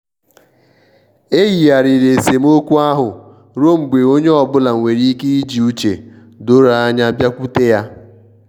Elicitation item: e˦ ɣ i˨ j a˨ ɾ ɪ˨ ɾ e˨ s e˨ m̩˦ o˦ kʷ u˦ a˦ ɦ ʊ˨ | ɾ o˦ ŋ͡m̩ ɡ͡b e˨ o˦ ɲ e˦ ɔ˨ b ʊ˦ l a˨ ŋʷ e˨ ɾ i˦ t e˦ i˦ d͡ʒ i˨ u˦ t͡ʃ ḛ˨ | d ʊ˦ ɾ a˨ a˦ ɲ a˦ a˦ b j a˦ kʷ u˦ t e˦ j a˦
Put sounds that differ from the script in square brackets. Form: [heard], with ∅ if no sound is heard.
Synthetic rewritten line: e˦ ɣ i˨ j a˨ ɾ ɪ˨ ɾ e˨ s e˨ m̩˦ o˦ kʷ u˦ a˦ ɦ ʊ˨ | ɾ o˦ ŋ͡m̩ ɡ͡b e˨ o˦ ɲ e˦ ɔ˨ b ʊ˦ l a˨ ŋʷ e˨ ɾ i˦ [k] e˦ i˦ d͡ʒ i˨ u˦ t͡ʃ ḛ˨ | d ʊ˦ ɾ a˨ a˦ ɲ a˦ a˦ b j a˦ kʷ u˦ t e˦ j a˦